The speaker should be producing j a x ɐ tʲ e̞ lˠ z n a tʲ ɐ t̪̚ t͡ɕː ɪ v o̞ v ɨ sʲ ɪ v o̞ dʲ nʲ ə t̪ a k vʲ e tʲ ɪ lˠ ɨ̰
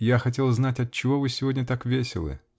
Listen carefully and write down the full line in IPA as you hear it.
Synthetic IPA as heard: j a x ɐ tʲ e̞ lˠ z n a tʲ ɐ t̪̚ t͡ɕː ɪ v o̞ v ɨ sʲ ɪ v o̞ dʲ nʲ ə t̪ a k vʲ e sʲ ɪ lˠ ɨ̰